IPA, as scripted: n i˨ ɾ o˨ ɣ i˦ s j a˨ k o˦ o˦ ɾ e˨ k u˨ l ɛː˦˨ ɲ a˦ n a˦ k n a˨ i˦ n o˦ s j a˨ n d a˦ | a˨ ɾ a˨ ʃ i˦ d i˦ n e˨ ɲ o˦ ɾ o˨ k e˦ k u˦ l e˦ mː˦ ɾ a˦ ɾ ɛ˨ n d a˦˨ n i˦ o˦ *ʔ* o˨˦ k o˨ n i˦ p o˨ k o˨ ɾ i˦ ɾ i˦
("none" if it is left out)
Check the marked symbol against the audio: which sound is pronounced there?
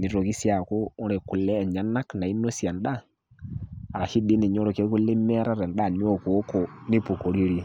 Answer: k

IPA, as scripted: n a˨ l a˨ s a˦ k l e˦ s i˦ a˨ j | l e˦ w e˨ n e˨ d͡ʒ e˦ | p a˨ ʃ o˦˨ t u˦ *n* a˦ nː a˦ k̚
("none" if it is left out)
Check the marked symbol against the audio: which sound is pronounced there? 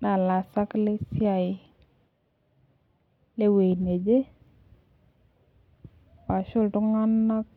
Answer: ŋ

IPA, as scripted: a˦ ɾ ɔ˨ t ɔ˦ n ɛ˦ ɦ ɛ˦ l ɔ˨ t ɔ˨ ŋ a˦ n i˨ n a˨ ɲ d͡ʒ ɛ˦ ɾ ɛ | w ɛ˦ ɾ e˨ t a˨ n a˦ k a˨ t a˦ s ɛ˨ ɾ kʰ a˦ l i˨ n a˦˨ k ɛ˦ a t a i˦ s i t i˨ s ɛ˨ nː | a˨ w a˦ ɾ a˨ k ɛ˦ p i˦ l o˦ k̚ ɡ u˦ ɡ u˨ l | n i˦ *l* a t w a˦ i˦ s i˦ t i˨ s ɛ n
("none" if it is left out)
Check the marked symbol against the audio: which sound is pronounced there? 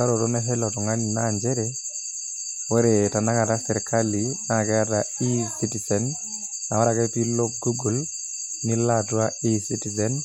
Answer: l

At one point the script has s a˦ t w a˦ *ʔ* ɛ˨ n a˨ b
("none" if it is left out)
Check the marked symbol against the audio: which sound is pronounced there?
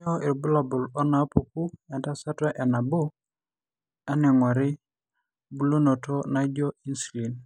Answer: ʔ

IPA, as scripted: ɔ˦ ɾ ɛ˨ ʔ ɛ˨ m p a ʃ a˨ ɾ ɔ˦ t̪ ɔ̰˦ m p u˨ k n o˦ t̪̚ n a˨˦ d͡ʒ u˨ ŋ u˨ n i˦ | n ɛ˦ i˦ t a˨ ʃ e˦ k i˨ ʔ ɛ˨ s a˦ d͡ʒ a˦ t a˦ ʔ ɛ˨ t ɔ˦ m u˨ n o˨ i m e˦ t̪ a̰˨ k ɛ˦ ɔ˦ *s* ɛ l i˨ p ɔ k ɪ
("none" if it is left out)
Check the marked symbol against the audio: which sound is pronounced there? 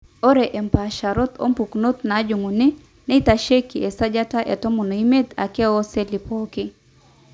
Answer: s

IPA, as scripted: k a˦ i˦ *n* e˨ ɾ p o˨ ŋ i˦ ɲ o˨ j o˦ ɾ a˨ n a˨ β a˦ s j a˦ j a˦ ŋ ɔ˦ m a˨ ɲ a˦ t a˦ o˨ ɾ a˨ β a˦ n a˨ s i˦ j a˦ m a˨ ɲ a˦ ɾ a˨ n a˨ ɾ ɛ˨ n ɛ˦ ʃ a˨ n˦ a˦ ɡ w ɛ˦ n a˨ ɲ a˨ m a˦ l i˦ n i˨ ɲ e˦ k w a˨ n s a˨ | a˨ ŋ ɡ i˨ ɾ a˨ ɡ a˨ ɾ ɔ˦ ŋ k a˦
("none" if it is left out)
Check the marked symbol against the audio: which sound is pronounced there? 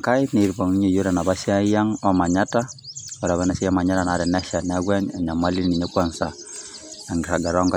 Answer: n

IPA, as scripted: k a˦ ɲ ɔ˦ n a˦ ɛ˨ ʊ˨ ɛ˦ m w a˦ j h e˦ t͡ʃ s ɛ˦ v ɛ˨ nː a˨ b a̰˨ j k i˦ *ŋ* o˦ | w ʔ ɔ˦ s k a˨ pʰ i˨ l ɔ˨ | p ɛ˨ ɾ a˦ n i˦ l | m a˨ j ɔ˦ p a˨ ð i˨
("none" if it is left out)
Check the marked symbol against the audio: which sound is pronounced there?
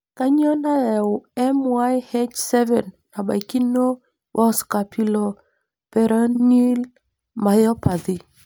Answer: n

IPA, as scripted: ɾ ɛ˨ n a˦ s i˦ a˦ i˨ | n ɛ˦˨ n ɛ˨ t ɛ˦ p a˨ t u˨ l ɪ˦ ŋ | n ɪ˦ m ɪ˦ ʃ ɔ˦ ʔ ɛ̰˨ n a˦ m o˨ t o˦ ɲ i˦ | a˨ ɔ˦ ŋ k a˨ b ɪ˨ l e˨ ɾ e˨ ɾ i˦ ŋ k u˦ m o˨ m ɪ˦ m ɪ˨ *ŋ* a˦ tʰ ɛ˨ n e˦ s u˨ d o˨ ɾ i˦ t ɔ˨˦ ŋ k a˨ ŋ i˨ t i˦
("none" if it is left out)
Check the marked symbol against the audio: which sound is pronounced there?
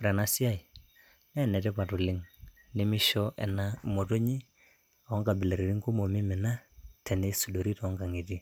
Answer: n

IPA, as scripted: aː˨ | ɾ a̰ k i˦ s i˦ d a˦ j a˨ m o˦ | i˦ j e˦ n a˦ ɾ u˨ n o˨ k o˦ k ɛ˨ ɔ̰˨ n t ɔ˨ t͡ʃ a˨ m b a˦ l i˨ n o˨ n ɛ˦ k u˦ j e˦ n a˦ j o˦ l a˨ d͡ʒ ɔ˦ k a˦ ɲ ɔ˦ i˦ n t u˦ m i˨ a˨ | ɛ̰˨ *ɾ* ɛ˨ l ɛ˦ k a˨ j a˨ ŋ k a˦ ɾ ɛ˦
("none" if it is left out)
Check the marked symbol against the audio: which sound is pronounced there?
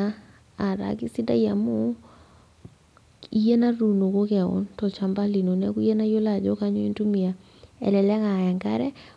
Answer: l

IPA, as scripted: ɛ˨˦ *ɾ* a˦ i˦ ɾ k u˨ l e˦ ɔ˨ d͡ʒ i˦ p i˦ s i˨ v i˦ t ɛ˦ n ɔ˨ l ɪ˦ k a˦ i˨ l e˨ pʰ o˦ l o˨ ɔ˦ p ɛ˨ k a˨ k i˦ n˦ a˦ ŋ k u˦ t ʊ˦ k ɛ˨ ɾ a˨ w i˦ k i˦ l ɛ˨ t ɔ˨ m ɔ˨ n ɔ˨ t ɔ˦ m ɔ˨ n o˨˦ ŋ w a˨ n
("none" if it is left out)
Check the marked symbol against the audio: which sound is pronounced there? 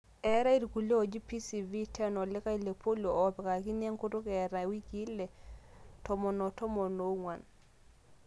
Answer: ɾ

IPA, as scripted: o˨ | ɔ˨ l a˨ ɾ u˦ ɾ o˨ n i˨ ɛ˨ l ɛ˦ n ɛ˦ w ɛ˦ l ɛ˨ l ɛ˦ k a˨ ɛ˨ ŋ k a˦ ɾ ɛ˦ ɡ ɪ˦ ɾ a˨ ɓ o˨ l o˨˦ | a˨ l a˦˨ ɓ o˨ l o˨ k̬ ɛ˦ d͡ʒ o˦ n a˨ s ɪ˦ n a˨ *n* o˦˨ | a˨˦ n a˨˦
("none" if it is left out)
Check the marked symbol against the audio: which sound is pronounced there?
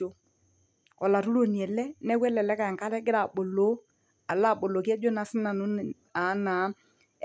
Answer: n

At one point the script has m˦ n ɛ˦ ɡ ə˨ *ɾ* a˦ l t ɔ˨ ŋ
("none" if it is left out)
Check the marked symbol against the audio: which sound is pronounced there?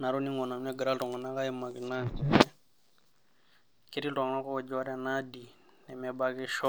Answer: ɾ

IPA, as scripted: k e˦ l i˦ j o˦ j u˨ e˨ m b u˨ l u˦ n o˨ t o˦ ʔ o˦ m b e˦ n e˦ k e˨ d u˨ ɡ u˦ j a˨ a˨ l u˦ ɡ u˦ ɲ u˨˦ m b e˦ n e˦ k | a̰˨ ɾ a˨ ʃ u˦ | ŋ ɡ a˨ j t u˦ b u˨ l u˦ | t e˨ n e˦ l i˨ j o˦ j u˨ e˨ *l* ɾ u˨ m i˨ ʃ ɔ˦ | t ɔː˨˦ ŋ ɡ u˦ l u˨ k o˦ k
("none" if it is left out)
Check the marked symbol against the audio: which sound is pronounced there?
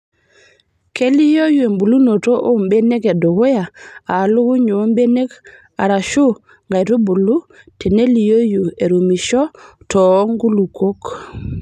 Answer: none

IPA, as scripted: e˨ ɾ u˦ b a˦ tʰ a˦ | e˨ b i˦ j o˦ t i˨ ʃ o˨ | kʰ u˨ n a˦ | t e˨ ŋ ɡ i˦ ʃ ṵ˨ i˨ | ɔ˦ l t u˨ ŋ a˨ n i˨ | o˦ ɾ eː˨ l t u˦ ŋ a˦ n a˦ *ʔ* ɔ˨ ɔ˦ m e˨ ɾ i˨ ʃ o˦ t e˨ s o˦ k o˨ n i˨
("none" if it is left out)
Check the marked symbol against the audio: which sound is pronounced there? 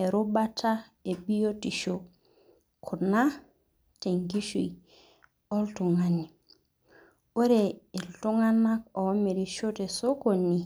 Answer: k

